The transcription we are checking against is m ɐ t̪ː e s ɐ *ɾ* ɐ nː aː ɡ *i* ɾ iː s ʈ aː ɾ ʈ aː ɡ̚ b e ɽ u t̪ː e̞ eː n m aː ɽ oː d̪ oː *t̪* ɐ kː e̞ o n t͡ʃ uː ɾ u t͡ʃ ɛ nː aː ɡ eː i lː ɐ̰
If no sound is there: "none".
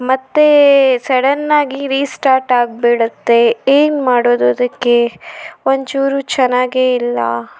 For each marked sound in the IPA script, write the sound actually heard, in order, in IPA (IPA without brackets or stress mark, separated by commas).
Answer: ɽ, i, d̪